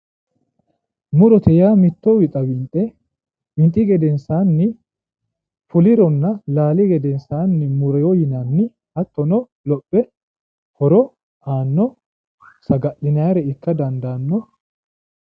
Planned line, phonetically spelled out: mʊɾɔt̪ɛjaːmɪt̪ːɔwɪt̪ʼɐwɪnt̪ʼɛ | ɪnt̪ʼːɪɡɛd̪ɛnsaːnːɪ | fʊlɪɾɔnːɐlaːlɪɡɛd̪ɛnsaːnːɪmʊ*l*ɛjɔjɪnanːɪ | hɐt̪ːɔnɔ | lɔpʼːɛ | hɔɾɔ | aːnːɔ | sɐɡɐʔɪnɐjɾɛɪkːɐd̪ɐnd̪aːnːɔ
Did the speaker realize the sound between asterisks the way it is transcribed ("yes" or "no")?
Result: no